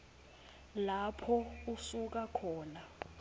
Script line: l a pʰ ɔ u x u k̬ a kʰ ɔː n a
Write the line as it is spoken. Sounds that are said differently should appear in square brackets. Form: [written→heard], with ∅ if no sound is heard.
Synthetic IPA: l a pʰ ɔ u [x→s] u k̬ a kʰ ɔː n a